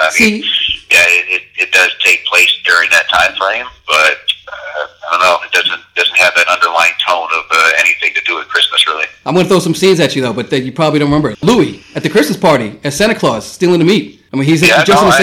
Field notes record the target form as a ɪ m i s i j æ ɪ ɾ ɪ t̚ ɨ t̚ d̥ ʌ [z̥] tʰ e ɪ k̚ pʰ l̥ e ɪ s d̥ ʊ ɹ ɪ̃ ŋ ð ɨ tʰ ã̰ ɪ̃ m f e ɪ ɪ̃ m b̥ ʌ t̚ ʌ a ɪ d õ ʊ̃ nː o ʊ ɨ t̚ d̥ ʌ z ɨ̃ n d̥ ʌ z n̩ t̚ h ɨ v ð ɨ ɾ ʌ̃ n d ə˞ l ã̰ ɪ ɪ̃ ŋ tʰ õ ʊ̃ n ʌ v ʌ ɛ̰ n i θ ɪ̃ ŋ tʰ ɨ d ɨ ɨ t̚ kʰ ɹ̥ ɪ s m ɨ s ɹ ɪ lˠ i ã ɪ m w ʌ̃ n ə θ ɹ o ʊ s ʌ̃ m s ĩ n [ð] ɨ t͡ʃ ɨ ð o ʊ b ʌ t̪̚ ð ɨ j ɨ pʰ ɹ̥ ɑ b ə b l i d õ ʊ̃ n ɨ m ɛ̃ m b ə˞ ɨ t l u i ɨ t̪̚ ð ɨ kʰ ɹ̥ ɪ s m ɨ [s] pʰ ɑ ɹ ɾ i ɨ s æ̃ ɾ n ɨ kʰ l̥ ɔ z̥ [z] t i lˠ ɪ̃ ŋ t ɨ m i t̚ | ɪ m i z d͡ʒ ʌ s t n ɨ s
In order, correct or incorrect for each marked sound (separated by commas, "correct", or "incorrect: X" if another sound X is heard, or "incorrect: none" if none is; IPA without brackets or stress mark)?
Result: correct, incorrect: z, correct, incorrect: s